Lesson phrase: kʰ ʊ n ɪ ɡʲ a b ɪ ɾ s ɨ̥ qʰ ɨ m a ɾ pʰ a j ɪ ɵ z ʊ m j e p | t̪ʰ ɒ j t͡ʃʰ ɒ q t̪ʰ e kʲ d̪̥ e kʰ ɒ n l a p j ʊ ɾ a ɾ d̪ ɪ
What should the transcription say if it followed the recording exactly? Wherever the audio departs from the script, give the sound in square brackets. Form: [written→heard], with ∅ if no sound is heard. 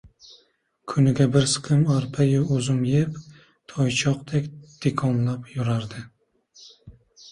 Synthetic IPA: kʰ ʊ n ɪ ɡʲ a b ɪ ɾ s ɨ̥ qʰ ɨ m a ɾ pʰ a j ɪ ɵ z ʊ m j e p | t̪ʰ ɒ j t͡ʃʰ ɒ q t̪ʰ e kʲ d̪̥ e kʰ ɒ n l a p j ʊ ɾ a ɾ d̪ ɪ